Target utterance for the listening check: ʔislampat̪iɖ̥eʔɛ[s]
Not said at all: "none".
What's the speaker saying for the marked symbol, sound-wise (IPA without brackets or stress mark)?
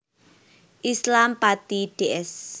s